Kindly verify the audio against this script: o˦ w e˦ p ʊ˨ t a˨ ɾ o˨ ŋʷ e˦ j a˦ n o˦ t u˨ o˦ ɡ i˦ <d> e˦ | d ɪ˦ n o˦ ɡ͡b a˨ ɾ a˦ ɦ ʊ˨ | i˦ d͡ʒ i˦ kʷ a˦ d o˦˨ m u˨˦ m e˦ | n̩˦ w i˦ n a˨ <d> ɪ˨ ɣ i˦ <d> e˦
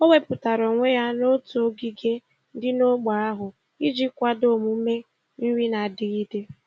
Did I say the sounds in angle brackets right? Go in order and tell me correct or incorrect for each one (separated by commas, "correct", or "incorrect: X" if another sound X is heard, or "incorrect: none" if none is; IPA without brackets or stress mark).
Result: incorrect: ɡ, correct, correct